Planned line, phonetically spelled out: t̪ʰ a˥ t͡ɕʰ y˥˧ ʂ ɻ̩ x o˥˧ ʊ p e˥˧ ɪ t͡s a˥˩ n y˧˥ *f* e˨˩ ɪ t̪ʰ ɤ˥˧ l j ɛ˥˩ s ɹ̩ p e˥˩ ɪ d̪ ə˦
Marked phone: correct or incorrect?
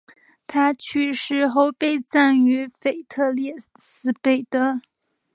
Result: correct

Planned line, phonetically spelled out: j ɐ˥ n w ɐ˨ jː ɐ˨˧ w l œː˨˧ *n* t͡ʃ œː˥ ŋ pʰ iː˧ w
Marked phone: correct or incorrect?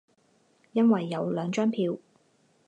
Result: incorrect: ŋ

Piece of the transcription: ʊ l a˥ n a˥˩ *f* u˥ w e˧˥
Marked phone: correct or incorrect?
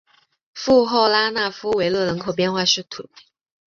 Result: correct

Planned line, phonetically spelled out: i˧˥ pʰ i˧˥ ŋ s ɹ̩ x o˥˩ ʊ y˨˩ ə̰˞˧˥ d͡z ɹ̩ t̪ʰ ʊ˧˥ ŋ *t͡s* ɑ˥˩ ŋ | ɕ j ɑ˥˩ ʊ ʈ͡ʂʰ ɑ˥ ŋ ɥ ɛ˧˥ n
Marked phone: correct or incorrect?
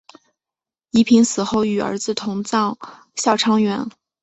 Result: correct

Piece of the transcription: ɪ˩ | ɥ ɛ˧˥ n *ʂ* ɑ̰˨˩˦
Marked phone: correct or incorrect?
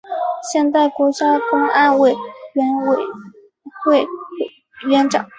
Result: incorrect: ʈ͡ʂ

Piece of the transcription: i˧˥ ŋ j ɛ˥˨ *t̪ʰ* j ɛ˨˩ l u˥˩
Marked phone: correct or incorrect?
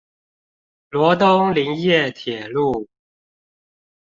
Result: correct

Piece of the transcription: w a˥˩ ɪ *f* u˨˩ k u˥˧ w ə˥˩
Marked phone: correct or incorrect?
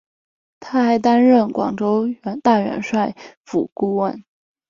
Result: correct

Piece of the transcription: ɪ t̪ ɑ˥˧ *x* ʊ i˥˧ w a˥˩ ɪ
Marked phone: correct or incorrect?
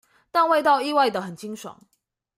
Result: incorrect: none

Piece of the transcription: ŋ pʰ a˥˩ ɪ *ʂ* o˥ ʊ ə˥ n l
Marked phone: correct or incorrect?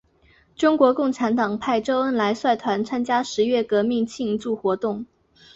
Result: incorrect: ʈ͡ʂ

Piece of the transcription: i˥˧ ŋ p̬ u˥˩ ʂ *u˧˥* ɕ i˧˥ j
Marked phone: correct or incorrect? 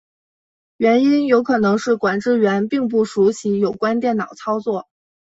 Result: correct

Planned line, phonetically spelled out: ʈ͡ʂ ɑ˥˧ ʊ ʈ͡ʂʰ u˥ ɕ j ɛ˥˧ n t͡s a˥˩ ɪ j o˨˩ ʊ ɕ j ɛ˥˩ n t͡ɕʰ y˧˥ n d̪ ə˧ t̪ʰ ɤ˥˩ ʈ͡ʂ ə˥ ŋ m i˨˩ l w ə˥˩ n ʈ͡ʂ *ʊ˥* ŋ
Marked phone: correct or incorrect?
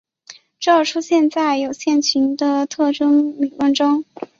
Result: correct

